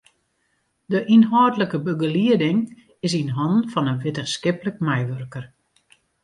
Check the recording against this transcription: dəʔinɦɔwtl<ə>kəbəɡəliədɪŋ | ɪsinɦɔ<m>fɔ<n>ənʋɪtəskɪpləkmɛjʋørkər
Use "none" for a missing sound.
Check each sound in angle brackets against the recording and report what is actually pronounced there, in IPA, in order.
ə, n, n

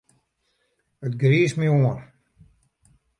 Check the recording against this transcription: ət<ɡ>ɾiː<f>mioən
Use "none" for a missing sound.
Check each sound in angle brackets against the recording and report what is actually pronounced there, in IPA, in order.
ɡ, s

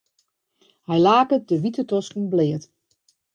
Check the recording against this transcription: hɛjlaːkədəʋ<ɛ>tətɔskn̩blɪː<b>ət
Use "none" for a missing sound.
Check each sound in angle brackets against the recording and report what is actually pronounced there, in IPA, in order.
i, none

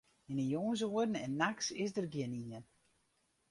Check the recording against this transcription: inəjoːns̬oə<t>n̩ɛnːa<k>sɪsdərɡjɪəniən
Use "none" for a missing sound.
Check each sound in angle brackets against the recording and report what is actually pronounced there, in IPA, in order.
d, k

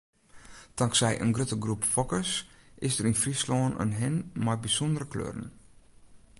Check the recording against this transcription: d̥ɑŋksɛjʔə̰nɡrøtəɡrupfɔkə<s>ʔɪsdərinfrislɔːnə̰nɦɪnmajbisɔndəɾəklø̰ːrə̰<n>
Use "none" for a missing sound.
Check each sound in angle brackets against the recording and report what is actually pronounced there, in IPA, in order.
s, n

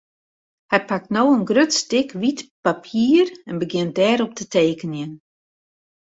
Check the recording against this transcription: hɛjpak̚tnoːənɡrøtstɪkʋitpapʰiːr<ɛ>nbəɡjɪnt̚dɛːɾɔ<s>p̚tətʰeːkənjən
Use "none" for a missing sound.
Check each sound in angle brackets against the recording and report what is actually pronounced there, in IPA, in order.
ɛ, none

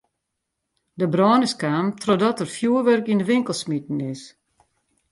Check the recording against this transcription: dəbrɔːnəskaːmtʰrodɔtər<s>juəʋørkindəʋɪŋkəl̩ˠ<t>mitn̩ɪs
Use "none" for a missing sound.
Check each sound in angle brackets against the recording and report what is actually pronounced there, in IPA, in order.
f, s

